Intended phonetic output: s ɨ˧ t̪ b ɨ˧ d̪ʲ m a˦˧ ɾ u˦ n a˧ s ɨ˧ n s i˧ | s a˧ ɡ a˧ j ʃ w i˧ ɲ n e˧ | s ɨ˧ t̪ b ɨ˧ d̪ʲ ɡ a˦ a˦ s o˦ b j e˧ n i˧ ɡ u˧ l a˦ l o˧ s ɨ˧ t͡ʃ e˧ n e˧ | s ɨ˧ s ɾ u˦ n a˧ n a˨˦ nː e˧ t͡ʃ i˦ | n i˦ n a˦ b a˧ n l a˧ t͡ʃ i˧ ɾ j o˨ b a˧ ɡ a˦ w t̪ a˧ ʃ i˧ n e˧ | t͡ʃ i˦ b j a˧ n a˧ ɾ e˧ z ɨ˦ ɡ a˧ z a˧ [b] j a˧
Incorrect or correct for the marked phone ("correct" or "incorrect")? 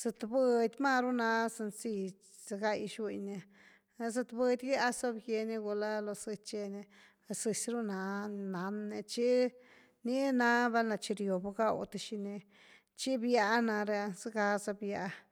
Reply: correct